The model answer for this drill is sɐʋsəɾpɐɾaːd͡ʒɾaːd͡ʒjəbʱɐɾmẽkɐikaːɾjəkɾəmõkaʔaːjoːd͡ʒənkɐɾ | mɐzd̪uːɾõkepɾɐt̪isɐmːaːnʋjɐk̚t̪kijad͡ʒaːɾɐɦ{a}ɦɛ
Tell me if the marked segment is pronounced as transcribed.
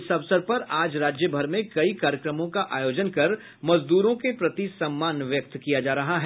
yes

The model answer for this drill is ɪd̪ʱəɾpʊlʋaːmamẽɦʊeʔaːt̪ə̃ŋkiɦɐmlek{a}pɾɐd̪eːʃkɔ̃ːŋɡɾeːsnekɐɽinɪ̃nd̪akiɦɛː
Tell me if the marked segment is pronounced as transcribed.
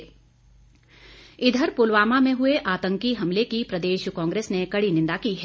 no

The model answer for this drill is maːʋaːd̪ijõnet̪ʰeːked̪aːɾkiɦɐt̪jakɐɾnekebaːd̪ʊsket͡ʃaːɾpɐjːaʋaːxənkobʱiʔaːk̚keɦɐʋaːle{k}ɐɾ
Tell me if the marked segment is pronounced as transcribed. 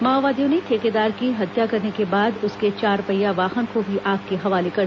yes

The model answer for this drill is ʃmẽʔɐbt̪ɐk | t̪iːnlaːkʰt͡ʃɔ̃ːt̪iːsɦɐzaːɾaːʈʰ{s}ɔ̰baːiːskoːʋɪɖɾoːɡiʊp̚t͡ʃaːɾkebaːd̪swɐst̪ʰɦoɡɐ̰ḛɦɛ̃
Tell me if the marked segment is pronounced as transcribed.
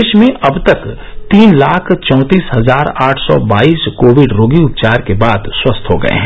yes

